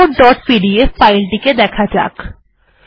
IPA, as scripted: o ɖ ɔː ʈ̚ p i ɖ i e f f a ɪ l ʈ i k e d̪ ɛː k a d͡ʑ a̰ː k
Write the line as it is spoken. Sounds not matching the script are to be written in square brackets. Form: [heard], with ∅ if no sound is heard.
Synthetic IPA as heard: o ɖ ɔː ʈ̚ p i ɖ i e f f a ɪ l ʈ i k e d̪ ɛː [kʰ] a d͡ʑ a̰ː k